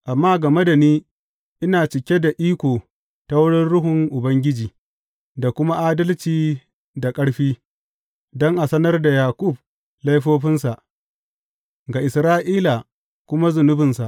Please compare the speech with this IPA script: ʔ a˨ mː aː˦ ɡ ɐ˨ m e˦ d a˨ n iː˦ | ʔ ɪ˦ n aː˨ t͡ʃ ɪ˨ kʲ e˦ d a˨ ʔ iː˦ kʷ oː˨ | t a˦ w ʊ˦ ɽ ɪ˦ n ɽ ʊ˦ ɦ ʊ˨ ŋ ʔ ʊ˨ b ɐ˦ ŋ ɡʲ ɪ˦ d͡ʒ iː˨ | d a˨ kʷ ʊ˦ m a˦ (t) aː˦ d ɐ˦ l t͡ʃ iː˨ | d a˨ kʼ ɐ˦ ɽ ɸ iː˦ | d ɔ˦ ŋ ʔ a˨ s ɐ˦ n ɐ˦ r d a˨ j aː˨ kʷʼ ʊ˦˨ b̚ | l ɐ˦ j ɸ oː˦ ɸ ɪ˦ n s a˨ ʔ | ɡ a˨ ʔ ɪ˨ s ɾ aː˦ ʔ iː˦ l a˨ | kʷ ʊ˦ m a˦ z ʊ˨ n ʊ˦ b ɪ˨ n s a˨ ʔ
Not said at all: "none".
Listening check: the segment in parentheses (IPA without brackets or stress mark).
ʔ